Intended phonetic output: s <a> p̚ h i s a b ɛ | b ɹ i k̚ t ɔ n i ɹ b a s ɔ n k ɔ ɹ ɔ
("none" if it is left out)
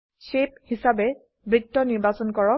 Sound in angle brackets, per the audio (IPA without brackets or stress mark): e